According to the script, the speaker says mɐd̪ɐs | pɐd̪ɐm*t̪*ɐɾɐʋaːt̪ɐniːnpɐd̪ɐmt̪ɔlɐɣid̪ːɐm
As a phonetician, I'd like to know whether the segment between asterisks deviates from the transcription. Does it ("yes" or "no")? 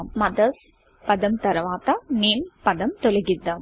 no